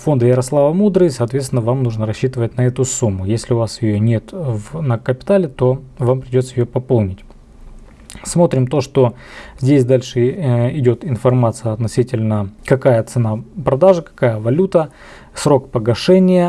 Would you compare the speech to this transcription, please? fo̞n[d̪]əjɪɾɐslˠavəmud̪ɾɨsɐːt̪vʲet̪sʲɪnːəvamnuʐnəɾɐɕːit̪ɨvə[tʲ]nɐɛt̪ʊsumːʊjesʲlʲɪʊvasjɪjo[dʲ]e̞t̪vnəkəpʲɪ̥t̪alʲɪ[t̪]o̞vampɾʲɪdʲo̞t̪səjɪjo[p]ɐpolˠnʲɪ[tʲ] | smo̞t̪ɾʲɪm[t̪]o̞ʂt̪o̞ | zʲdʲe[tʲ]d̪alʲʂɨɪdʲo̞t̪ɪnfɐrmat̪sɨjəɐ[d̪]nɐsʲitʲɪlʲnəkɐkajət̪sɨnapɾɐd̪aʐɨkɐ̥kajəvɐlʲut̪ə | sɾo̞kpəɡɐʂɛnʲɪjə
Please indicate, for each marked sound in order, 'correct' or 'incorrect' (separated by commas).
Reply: correct, correct, incorrect, correct, correct, correct, correct, incorrect, incorrect